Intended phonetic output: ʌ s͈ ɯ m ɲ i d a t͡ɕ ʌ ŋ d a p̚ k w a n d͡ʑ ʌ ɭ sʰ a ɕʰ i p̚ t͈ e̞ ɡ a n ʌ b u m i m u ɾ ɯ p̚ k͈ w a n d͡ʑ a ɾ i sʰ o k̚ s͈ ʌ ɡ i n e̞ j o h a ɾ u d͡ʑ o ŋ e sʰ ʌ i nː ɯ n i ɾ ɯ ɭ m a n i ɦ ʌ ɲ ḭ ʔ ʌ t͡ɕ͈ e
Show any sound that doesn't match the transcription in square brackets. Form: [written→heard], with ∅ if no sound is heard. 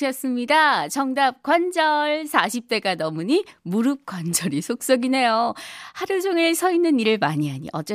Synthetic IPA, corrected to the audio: ʌ s͈ ɯ m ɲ i d a t͡ɕ ʌ ŋ d a p̚ k w a n d͡ʑ ʌ ɭ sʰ a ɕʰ i p̚ t͈ e̞ ɡ a n ʌ [b→m] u [m→ɲ] i m u ɾ ɯ p̚ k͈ w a n d͡ʑ [a→ʌ] ɾ i sʰ o k̚ s͈ ʌ ɡ i n e̞ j o h a ɾ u d͡ʑ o ŋ e sʰ ʌ i nː ɯ n i ɾ ɯ ɭ m a [n→ɲ] i ɦ [ʌ→a] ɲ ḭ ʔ ʌ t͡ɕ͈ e